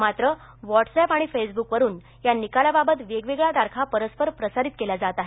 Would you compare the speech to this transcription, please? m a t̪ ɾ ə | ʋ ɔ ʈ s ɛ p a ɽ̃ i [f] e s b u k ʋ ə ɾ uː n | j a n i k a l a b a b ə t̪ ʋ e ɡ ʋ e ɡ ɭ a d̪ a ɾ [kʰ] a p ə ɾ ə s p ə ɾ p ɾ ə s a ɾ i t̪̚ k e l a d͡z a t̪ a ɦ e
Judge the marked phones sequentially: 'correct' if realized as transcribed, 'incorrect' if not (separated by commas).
correct, correct